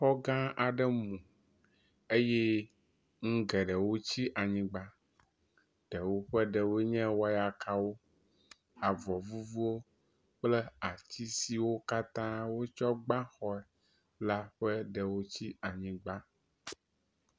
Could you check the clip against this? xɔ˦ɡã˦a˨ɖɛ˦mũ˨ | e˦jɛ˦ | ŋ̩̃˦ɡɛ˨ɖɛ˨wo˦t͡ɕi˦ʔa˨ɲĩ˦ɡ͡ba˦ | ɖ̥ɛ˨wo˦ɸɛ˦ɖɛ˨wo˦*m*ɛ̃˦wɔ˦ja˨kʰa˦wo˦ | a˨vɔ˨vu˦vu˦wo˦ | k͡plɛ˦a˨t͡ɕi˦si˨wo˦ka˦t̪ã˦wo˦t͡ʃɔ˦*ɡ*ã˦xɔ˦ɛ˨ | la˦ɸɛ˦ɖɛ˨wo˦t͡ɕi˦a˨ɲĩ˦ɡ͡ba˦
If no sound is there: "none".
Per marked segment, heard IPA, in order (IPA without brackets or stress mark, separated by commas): ɲ, ɡ͡b